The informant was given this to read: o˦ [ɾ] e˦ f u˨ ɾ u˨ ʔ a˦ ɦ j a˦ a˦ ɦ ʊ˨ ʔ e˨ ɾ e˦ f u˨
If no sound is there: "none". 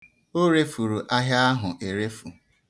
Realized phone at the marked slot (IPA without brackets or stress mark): ɾ